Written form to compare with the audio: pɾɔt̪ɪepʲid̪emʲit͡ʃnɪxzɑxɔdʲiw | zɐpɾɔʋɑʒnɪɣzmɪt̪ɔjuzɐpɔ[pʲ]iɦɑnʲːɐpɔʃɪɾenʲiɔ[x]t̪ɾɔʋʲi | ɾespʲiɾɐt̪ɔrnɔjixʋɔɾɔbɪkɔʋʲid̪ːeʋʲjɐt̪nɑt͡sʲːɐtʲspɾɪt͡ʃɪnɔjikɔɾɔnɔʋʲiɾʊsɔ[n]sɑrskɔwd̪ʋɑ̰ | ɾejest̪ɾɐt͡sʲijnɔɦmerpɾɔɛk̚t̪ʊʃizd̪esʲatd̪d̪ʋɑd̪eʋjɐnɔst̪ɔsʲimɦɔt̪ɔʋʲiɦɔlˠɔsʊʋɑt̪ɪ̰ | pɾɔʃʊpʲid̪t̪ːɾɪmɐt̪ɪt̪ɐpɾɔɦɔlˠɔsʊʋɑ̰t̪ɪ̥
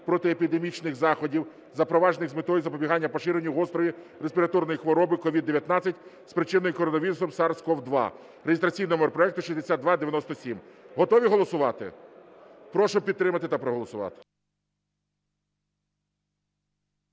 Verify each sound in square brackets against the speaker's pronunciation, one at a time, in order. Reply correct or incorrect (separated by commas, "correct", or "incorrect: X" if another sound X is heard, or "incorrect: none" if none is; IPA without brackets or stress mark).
incorrect: bʲ, incorrect: s, incorrect: m